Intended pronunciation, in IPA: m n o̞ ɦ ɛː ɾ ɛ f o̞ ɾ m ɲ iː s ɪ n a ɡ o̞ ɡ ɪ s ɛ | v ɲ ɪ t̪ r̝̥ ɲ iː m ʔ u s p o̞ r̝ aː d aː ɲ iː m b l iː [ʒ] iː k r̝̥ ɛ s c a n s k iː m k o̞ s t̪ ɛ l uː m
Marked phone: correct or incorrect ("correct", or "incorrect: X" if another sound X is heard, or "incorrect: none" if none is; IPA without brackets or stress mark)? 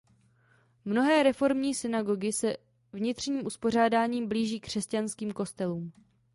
correct